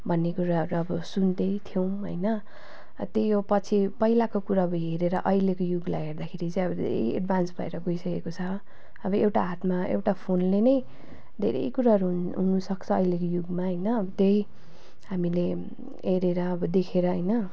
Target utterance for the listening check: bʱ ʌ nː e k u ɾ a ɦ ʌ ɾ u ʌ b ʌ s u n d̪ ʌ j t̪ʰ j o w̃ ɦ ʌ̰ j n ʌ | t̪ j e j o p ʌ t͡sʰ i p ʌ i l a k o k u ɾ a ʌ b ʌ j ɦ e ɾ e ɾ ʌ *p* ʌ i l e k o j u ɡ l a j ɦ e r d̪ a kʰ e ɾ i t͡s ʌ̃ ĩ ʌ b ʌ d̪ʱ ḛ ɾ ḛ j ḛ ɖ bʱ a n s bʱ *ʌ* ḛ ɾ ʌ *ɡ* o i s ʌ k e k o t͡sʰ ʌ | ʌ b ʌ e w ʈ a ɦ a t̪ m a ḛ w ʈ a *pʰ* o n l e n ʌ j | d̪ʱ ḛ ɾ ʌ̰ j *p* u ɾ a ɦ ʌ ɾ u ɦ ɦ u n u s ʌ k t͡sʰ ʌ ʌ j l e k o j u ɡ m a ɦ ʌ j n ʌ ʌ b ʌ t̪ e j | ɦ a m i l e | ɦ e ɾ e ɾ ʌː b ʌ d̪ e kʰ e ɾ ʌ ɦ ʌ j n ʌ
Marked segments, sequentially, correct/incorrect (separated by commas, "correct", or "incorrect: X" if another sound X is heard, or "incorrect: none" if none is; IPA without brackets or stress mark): incorrect: ʔ, correct, correct, correct, incorrect: k